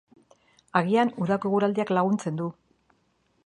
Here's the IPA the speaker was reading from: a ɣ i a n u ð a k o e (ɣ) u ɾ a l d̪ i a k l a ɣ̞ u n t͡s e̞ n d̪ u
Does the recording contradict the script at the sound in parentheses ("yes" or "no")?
no